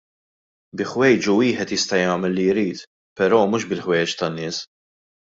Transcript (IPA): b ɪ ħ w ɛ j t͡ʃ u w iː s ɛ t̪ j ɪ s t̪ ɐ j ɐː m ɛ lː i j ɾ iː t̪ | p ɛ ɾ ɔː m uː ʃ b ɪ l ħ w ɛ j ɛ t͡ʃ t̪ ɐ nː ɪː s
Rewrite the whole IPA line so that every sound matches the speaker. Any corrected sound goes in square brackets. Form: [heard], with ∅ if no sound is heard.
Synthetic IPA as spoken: b ɪ ħ w ɛ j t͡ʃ u w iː [ħ] ɛ t̪ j ɪ s t̪ ɐ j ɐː m ɛ lː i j ɾ iː t̪ | p ɛ ɾ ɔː m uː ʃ b ɪ l ħ w ɛ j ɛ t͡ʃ t̪ ɐ nː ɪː s